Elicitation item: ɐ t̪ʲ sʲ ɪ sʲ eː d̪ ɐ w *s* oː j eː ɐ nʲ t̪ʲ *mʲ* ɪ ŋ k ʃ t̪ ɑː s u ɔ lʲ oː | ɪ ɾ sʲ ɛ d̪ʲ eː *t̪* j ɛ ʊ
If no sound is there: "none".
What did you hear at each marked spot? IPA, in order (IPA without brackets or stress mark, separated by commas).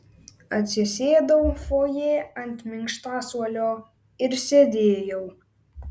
f, mʲ, none